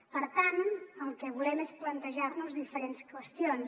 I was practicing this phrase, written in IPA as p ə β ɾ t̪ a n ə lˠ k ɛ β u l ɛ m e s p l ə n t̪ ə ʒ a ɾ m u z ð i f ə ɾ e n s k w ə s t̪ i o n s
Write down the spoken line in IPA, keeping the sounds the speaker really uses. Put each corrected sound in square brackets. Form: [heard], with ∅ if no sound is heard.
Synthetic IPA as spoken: p ə [∅] ɾ t̪ a n ə lˠ k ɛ β u l ɛ m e s p l ə n t̪ ə ʒ a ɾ [n] u z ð i f ə ɾ e n s k w ə s t̪ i o n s